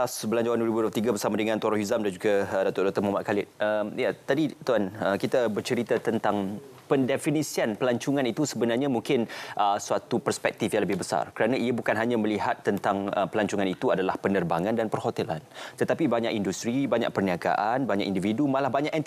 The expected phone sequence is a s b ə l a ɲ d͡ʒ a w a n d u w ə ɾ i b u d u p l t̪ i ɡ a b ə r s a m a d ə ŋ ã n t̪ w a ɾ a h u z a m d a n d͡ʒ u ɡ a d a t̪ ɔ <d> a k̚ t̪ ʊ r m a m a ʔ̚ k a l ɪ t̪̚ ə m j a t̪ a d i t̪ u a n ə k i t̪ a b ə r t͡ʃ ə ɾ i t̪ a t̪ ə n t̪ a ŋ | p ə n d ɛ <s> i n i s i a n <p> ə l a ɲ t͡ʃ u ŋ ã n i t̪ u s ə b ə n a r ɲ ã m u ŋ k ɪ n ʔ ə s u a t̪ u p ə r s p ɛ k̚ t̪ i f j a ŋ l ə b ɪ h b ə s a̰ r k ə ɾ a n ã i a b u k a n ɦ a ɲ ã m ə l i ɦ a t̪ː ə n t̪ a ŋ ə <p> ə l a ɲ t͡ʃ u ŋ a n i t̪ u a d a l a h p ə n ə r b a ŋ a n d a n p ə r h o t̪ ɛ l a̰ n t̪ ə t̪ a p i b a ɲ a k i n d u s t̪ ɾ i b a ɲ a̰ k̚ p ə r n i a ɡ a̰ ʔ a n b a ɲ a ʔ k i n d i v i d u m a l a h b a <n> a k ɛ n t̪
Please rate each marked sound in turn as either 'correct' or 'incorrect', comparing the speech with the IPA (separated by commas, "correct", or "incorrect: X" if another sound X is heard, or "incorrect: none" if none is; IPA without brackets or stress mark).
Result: correct, incorrect: f, correct, correct, incorrect: ɲ